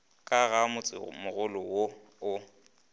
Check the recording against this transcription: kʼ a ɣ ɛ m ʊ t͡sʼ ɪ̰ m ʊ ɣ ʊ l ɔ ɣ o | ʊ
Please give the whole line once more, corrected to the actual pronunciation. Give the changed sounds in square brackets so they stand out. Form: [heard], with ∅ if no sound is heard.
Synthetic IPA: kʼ a ɣ [a] m ʊ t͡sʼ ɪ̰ m ʊ ɣ ʊ l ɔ [w] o | ʊ